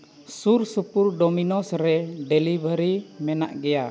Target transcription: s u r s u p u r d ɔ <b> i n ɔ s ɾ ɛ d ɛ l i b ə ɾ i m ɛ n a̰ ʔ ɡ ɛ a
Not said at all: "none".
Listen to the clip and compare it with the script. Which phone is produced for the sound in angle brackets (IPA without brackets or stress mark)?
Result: m